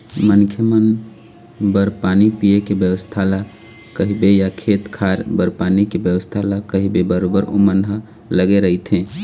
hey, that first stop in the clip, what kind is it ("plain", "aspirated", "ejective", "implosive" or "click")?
aspirated